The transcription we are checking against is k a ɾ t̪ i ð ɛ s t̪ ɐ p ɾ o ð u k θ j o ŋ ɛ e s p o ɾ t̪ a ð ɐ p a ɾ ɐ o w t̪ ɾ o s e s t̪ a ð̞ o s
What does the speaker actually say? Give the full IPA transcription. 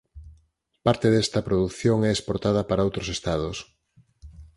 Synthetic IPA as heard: p a ɾ t̪ e ð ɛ s t̪ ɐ p ɾ o ð u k θ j o ŋ ɛ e s p o ɾ t̪ a ð ɐ p a ɾ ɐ o w t̪ ɾ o s e s t̪ a ð̞ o s